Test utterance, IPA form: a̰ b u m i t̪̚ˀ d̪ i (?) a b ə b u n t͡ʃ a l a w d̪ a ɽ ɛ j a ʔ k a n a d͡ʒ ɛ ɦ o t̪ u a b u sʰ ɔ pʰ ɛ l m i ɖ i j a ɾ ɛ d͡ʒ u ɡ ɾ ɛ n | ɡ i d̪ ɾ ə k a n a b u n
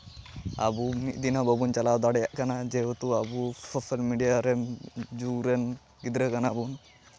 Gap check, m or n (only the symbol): n